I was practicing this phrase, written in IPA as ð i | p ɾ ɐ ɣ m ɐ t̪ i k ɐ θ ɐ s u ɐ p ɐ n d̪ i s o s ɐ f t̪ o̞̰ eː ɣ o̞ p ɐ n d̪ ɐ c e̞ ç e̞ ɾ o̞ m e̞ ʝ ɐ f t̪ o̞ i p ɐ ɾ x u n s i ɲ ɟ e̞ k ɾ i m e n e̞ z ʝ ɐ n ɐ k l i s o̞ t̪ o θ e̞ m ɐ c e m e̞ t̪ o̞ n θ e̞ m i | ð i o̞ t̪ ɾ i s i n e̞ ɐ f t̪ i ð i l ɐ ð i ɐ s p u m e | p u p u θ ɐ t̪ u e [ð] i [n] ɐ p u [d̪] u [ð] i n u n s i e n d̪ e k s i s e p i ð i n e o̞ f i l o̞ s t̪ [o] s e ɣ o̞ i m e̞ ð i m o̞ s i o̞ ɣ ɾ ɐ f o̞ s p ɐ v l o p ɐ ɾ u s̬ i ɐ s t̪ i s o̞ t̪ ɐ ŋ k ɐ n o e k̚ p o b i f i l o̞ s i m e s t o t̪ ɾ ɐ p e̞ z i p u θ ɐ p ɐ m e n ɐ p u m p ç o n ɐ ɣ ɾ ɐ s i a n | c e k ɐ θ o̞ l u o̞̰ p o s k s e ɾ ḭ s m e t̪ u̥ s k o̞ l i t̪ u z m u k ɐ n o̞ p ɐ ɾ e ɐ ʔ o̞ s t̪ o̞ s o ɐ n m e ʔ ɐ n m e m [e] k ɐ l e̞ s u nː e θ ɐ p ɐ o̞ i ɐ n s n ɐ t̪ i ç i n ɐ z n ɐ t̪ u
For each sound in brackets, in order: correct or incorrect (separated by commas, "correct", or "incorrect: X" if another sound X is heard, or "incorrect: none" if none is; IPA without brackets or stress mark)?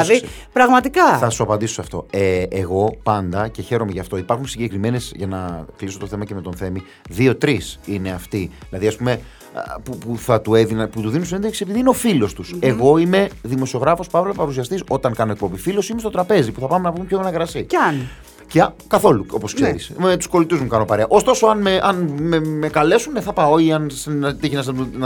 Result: correct, correct, incorrect: t̪, correct, incorrect: u, correct